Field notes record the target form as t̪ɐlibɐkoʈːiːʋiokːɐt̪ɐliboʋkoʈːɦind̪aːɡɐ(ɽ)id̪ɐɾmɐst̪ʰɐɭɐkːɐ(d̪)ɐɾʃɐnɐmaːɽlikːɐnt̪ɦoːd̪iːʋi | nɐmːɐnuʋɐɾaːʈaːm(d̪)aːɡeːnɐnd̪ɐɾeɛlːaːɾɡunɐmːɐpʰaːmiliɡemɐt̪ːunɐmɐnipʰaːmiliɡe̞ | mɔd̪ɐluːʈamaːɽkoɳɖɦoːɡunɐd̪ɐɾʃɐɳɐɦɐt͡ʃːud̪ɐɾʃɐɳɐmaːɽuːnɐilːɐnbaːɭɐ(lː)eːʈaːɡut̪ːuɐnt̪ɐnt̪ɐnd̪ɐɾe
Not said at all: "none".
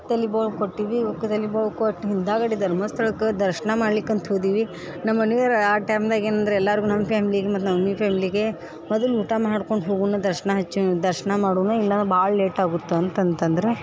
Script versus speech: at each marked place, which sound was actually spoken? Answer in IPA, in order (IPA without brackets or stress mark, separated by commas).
ɽ, d̪, d̪, l